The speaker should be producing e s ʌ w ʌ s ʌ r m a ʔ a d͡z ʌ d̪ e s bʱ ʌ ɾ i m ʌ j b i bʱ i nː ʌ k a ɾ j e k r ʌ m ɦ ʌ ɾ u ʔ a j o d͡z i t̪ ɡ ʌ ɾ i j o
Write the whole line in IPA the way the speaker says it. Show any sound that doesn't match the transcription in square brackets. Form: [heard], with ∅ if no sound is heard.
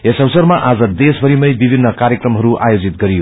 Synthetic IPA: e s ʌ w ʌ s ʌ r m a ʔ a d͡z ʌ d̪ e s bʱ ʌ ɾ i m ʌ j b i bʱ i nː ʌ k a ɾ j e k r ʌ m ɦ ʌ ɾ u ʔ a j o d͡z i t̪ ɡ ʌ ɾ i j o